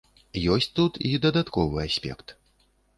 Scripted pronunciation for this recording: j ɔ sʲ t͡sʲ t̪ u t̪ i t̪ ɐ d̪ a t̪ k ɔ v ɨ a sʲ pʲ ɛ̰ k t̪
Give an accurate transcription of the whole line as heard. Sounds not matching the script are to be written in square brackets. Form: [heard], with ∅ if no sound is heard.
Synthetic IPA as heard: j ɔ sʲ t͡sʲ t̪ u t̪ i [d̪] ɐ d̪ a t̪ k ɔ v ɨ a sʲ pʲ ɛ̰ k t̪